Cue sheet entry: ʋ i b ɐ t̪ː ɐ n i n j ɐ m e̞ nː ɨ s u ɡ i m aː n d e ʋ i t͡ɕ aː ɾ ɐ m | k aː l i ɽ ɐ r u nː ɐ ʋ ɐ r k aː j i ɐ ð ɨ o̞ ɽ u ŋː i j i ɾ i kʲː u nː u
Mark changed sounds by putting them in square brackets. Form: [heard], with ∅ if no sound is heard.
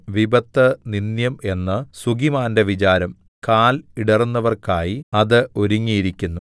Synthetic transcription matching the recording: ʋ i b ɐ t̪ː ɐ n i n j ɐ m e̞ nː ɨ s u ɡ i m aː n d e ʋ i t͡ɕ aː ɾ ɐ m | k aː l i ɽ ɐ r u nː ɐ ʋ ɐ r k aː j i ɐ ð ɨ o̞ [ɾ] u ŋː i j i ɾ i kʲː u nː u